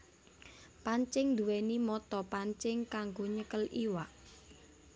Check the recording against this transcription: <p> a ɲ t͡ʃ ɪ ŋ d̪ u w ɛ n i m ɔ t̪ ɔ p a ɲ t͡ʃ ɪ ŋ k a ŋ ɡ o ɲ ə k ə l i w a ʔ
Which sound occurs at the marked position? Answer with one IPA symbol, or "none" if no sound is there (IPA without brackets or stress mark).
p